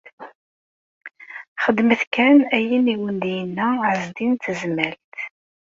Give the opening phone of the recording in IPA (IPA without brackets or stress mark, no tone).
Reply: χ